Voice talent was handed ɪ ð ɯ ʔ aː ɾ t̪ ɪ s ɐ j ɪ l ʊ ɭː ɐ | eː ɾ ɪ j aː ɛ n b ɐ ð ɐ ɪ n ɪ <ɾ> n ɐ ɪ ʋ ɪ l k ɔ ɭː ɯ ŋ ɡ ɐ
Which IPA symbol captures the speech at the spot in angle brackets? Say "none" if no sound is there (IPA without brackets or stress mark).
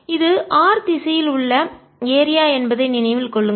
none